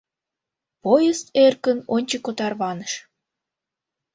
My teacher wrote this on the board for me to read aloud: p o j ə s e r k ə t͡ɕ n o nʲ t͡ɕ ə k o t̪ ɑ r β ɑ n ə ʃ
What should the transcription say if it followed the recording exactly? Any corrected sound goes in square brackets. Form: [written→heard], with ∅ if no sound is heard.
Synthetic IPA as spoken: p o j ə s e r k ə [t͡ɕ→∅] n o nʲ t͡ɕ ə k o t̪ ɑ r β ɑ n ə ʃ